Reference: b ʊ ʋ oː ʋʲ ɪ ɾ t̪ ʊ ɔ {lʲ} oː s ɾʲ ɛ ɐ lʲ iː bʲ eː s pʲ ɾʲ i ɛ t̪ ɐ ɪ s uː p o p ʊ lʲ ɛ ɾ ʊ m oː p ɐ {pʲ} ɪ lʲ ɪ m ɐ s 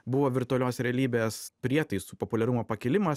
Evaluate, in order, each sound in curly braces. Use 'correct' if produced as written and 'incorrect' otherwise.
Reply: correct, incorrect: kʲ

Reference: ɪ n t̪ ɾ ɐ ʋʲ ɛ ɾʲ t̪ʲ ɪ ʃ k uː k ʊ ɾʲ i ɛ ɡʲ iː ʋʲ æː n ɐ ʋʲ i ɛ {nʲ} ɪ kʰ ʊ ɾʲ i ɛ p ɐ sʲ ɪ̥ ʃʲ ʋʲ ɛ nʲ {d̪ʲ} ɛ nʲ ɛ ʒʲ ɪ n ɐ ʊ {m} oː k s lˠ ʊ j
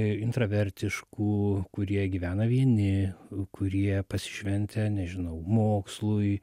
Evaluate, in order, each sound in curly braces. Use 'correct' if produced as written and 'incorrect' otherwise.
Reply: correct, incorrect: t̪ʲ, correct

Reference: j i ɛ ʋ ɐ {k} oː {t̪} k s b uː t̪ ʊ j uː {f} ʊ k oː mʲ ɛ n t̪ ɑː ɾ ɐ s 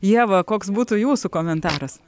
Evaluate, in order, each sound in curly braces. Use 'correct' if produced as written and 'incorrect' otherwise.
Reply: correct, incorrect: none, incorrect: s

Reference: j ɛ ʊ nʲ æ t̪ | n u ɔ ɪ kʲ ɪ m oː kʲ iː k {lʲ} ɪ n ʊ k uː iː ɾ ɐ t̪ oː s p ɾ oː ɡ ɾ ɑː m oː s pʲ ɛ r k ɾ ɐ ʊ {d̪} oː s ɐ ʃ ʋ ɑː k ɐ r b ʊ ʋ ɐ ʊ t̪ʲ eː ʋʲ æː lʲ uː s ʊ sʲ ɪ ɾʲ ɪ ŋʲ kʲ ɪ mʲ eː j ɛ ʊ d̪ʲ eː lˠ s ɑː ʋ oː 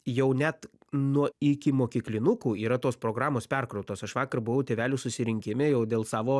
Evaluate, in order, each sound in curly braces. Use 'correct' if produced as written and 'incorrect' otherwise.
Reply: correct, incorrect: t̪

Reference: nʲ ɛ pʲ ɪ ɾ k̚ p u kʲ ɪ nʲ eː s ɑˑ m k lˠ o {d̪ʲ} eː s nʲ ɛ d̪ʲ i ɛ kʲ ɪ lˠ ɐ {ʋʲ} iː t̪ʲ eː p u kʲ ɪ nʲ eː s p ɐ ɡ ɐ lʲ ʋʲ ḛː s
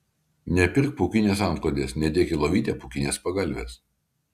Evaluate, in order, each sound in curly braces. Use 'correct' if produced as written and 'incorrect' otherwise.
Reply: correct, correct

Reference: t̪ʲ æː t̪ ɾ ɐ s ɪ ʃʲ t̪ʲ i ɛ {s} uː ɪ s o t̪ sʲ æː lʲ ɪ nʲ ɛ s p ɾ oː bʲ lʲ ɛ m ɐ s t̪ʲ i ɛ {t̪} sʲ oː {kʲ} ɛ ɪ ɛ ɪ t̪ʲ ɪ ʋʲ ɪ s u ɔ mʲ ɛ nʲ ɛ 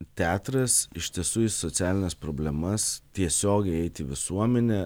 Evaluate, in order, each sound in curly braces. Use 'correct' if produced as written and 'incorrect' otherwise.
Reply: correct, incorrect: none, incorrect: ɡʲ

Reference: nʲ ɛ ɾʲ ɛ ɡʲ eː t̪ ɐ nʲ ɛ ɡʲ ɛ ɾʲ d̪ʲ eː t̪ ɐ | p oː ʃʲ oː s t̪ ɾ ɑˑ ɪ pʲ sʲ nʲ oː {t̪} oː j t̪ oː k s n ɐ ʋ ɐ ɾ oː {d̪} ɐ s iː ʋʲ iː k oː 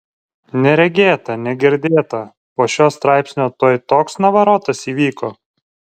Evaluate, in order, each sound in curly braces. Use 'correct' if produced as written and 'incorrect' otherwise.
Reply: correct, incorrect: t̪

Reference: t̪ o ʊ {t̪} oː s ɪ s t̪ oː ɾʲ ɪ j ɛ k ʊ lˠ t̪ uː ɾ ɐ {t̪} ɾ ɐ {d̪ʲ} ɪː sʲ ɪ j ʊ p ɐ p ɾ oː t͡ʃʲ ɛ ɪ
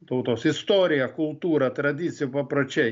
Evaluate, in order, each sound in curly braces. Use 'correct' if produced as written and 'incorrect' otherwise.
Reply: correct, correct, correct

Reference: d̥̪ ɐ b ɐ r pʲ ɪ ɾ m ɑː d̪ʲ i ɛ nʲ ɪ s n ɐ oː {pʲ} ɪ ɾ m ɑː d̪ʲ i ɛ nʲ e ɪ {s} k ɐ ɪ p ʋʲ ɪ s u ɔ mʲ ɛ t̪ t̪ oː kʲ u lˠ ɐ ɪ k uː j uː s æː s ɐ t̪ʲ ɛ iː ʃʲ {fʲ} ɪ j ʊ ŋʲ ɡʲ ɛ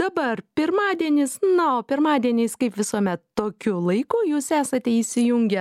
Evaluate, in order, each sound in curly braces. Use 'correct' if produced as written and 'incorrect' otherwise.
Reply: correct, correct, incorrect: sʲ

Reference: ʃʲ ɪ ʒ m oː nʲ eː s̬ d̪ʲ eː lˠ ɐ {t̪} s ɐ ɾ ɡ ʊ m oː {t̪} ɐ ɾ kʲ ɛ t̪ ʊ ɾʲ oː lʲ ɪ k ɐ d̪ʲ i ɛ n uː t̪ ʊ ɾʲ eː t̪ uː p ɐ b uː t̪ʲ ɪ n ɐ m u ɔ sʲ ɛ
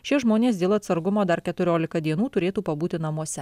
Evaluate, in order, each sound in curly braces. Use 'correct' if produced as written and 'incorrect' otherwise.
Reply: correct, incorrect: d̪

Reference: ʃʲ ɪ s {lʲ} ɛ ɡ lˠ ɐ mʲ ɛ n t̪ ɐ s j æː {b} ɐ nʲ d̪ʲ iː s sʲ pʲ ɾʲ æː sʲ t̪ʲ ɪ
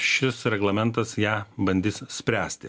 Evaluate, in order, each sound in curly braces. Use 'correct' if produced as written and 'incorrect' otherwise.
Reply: incorrect: ɾʲ, correct

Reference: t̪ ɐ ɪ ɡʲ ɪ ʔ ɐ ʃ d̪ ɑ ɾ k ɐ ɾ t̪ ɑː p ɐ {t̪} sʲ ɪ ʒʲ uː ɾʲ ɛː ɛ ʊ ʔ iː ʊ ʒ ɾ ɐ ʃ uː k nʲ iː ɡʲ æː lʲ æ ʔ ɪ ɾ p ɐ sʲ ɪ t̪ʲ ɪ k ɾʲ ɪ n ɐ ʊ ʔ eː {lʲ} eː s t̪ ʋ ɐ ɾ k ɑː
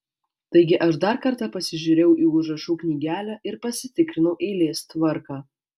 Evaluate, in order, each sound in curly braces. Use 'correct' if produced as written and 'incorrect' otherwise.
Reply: incorrect: none, correct

